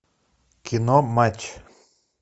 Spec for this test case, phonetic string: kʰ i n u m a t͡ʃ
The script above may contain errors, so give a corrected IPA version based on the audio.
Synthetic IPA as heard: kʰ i n o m a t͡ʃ

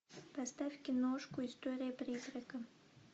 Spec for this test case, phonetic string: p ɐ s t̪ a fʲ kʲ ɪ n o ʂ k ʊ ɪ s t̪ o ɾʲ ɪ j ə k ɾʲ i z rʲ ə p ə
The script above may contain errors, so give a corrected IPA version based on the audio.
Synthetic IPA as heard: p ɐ s t̪ a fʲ kʲ ɪ n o ʂ k ʊ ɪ s t̪ o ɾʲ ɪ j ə p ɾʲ i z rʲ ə k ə

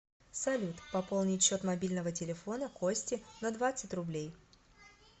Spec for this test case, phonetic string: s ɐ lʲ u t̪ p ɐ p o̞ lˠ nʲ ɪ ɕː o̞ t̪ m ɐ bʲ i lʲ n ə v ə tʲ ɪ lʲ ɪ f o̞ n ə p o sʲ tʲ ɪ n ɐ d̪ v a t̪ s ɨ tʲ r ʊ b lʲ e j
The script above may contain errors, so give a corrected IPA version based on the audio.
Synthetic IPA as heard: s ɐ lʲ u t̪ p ɐ p o̞ lˠ nʲ ɪ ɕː o̞ t̪ m ɐ bʲ i lʲ n ə v ə tʲ ɪ lʲ ɪ f o̞ n ə k o sʲ tʲ ɪ n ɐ d̪ v a t̪ s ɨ tʲ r ʊ b lʲ e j

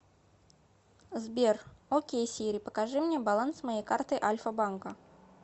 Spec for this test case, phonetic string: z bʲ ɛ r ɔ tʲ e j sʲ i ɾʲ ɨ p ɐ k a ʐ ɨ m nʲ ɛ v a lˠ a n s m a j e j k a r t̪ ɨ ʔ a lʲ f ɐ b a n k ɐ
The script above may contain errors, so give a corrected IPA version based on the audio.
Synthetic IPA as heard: z bʲ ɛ r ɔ kʲ e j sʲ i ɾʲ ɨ p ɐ k a ʐ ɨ m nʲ ɛ b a lˠ a n s m a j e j k a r t̪ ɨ ʔ a lʲ f ɐ b a n k ɐ

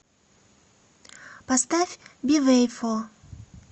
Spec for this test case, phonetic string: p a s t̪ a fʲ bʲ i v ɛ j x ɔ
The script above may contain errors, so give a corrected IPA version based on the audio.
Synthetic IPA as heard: p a s t̪ a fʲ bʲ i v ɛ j f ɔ

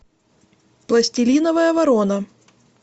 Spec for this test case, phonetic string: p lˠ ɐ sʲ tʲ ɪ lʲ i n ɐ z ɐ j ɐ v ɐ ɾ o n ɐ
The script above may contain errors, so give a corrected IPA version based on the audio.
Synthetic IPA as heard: p lˠ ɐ sʲ tʲ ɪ lʲ i n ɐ v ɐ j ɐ v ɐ ɾ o n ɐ

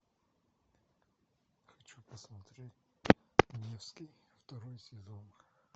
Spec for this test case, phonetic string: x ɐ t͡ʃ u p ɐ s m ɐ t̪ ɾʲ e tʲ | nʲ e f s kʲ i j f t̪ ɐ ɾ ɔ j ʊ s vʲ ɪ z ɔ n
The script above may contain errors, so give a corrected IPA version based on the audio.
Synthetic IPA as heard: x ɐ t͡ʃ u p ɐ s m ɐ t̪ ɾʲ e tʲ | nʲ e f s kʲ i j f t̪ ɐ ɾ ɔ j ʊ s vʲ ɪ z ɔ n

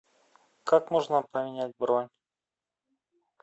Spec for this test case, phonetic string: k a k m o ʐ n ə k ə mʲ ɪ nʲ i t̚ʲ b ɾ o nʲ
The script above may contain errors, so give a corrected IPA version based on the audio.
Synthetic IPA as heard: k a k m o ʐ n ə p ə mʲ ɪ nʲ æ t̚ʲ b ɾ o nʲ

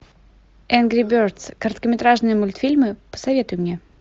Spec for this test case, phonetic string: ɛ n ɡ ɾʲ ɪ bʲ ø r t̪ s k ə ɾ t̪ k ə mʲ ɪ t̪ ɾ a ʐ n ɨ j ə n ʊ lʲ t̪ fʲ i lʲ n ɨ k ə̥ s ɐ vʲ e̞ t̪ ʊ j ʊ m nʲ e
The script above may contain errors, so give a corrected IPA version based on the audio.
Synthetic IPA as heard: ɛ n ɡ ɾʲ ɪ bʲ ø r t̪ s k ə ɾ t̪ k ə mʲ ɪ t̪ ɾ a ʐ n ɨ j ə m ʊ lʲ t̪ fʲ i lʲ m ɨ p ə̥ s ɐ vʲ e̞ t̪ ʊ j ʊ m nʲ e

